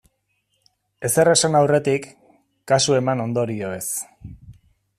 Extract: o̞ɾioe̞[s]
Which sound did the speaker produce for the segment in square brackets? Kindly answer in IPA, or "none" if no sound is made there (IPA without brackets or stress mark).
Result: s